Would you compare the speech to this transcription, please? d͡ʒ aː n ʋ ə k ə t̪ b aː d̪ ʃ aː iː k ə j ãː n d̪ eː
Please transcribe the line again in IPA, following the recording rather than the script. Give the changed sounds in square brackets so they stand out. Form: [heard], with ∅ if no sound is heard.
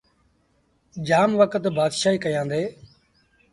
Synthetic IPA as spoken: d͡ʒ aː [m] ʋ ə k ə t̪ b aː d̪ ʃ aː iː k ə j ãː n d̪ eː